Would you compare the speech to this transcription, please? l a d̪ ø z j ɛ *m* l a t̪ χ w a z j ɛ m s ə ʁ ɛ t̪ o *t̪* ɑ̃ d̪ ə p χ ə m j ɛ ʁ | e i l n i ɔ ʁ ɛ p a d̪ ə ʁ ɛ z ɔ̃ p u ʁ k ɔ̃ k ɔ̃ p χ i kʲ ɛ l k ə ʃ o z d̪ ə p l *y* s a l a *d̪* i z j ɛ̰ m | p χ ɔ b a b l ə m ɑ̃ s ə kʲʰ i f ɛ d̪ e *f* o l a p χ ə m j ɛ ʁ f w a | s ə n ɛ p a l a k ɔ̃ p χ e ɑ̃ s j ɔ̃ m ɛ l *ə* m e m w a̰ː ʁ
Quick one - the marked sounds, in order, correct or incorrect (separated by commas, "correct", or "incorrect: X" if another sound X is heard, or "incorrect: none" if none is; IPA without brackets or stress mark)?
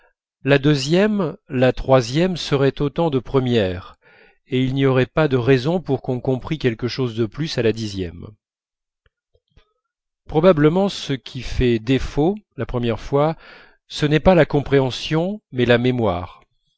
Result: correct, correct, correct, correct, correct, incorrect: a